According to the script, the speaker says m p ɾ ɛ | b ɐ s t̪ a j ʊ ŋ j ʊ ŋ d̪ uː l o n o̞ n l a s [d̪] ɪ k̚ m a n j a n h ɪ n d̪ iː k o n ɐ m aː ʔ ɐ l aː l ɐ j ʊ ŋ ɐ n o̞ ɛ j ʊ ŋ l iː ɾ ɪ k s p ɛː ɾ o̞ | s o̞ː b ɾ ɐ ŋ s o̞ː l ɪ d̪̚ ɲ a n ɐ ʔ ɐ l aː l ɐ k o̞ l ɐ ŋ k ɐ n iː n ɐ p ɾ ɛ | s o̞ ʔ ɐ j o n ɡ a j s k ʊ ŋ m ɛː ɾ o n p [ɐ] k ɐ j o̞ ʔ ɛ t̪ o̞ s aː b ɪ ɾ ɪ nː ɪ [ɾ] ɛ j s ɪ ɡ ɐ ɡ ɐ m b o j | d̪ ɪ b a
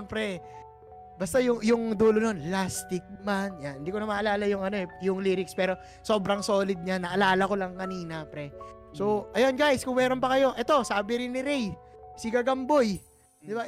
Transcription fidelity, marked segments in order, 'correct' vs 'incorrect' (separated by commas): incorrect, correct, correct